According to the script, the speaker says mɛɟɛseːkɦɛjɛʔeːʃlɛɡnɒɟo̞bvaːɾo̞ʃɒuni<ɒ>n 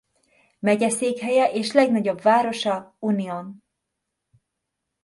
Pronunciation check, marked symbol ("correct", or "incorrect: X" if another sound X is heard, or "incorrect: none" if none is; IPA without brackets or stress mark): incorrect: o